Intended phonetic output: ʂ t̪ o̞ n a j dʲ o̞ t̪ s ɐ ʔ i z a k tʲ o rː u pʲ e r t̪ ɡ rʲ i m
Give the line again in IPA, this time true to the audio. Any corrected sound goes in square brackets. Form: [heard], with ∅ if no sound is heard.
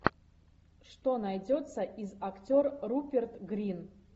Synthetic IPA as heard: ʂ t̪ o̞ n a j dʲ o̞ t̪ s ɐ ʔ i z a k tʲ o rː u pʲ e r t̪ ɡ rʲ i [n]